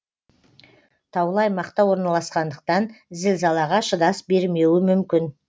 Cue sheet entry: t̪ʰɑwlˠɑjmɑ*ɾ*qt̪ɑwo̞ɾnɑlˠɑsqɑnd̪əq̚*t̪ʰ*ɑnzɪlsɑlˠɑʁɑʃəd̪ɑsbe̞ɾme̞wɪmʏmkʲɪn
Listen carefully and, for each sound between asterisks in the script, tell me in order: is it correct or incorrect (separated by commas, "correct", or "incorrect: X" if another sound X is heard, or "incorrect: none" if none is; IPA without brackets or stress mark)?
incorrect: none, incorrect: t̪